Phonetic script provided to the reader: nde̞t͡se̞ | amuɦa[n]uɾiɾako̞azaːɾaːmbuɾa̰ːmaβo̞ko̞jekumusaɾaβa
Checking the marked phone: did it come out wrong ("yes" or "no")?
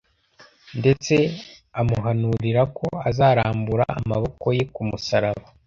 no